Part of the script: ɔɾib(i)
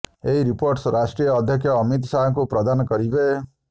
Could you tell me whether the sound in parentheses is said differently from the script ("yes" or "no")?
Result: yes